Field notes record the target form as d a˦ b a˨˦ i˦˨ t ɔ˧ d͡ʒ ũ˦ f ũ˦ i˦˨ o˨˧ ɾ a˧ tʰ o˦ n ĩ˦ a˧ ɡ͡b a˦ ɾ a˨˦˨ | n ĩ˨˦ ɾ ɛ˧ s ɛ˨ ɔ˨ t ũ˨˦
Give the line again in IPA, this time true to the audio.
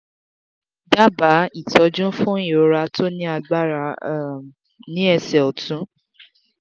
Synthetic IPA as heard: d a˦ b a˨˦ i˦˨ t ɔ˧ d͡ʒ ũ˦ f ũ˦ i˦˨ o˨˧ ɾ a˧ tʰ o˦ n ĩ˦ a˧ ɡ͡b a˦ ɾ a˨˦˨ | n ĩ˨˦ ɛ˧ s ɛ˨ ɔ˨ t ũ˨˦

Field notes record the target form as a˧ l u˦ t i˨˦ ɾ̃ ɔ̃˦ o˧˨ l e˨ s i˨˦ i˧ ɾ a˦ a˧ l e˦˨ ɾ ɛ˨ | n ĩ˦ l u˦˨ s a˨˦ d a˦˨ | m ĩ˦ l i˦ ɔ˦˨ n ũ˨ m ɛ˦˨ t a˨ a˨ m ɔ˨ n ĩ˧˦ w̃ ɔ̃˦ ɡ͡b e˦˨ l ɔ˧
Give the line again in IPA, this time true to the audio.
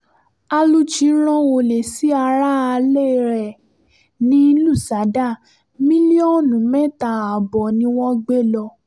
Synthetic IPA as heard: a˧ l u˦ t͡ʃ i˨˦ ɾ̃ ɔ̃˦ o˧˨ l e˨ s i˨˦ a˧ ɾ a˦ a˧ l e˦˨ ɾ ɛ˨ | n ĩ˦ l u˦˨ s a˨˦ d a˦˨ | m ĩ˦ l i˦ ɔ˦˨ n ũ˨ m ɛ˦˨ t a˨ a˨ b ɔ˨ n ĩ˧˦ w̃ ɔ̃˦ ɡ͡b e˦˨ l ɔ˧

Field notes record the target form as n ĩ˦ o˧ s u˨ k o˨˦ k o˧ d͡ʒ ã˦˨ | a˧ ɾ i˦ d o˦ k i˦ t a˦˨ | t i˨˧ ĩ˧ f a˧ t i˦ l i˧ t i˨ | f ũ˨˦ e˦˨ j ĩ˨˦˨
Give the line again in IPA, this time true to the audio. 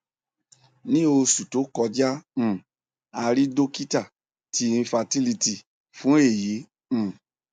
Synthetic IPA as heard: n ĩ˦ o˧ s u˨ t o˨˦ k ɔ˧ d͡ʒ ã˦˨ | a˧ ɾ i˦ d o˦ k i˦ t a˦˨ | t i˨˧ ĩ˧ f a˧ t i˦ l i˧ t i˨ | f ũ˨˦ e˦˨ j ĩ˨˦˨

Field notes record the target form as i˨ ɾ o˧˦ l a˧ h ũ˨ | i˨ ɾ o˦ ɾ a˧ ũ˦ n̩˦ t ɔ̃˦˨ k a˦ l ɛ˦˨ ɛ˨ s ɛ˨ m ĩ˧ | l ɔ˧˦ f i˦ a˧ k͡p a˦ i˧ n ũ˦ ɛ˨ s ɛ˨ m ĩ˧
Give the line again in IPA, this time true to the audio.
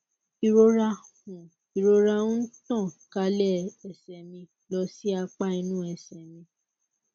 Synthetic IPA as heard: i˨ ɾ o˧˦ ɾ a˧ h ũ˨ | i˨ ɾ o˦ ɾ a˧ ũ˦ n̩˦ t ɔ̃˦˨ k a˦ l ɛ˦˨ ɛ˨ s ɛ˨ m ĩ˧ | l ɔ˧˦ s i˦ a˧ k͡p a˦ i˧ n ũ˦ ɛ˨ s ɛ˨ m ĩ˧

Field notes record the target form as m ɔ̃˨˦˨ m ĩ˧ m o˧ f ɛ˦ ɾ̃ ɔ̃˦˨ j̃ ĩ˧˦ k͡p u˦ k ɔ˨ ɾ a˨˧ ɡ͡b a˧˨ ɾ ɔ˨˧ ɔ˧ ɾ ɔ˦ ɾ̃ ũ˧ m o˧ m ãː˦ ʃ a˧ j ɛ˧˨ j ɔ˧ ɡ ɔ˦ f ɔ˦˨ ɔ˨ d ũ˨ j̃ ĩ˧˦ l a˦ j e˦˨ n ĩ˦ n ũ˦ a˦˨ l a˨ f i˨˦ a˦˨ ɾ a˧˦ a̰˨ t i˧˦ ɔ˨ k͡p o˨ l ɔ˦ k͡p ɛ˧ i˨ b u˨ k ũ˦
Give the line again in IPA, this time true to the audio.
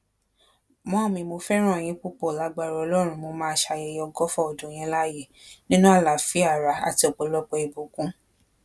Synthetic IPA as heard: m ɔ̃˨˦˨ m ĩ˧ m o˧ f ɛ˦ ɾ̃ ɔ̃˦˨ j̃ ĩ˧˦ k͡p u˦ k͡p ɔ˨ l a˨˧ ɡ͡b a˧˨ ɾ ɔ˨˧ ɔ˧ l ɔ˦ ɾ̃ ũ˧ m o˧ m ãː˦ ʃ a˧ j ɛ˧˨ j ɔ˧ ɡ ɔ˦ f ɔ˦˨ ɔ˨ d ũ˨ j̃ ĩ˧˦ l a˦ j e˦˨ n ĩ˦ n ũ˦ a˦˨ l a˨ f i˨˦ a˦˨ ɾ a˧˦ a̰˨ t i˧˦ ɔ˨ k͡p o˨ l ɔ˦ k͡p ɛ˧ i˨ b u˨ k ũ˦

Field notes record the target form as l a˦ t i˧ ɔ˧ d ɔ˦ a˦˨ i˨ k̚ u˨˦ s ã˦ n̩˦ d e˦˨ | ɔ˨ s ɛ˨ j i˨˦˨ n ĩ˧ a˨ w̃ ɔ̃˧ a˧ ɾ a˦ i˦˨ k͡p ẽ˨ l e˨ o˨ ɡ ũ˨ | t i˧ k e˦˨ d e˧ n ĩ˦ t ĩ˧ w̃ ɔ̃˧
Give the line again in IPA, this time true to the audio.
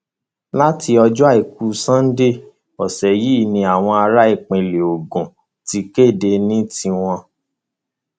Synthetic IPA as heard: l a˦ t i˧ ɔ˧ d͡ʒ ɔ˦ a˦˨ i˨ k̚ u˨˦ s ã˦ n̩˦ d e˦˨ | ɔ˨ s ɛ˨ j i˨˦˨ n ĩ˧ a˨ w̃ ɔ̃˧ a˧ ɾ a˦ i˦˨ k͡p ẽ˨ l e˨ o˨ ɡ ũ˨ | t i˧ k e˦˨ d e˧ n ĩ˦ t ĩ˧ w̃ ɔ̃˧

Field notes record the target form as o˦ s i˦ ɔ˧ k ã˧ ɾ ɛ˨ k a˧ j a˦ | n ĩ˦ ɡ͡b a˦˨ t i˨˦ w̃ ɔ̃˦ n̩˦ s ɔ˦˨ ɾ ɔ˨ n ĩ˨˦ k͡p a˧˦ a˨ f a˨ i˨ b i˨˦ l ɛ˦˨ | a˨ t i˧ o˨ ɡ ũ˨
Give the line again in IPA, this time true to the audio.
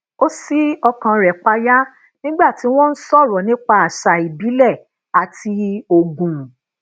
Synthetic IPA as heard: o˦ s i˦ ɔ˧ k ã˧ ɾ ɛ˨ k͡p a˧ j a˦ | n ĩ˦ ɡ͡b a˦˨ t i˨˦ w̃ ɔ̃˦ n̩˦ s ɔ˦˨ ɾ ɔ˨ n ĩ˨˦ k͡p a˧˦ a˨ ʃ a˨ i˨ b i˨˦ l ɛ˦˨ | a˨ t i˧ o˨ ɡ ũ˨

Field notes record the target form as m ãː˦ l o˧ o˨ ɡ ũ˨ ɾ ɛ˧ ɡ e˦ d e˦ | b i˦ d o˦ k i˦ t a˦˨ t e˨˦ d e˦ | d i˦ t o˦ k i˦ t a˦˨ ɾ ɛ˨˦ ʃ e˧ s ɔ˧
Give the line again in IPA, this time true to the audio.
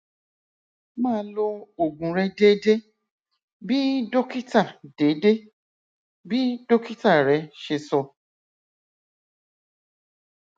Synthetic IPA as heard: m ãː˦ l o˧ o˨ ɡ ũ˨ ɾ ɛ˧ d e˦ d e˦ | b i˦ d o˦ k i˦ t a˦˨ d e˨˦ d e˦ | b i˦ d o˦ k i˦ t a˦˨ ɾ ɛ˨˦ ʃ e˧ s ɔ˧

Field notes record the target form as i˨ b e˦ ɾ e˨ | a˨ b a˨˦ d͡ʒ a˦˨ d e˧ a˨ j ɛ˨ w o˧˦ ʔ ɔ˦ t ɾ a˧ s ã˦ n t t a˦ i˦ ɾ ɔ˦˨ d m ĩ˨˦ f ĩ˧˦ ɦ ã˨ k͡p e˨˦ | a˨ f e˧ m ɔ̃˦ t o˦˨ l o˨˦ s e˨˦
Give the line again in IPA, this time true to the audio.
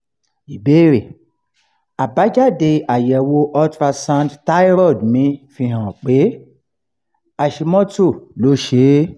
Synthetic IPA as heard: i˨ b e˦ ɾ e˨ | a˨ b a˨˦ d͡ʒ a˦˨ d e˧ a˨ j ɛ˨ w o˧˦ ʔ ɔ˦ t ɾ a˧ s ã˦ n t t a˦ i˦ ɾ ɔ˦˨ d m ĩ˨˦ f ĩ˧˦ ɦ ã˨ k͡p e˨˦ | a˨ ʃ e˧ m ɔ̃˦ t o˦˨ l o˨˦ ʃ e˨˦

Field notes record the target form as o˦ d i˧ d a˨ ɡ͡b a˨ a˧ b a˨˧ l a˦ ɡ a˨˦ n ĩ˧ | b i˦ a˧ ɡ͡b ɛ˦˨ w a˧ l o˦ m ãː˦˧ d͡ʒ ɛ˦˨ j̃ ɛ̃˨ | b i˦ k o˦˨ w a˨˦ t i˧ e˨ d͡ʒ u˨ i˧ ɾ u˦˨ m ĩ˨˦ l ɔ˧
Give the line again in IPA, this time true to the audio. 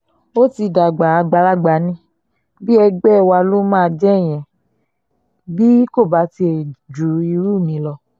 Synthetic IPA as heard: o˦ t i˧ d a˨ ɡ͡b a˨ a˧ ɡ͡b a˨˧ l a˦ ɡ͡b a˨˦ n ĩ˧ | b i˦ ɛ˧ ɡ͡b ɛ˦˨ w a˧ l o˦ m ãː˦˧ d͡ʒ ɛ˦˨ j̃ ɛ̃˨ | b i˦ k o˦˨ b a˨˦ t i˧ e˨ d͡ʒ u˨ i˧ ɾ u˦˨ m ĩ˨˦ l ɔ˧

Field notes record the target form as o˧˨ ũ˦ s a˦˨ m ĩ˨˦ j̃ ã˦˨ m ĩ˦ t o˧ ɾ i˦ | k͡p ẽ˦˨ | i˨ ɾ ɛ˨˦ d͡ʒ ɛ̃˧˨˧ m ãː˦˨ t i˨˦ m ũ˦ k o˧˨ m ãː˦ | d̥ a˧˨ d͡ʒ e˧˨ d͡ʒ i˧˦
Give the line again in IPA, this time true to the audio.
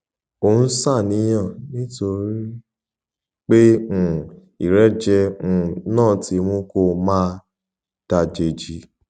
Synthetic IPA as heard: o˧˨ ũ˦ s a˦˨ n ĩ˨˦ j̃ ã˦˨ n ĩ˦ t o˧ ɾ i˦ | k͡p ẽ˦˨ | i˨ ɾ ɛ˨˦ d͡ʒ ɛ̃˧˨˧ n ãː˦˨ t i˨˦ m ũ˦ k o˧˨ m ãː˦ | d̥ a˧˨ d͡ʒ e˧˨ d͡ʒ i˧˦

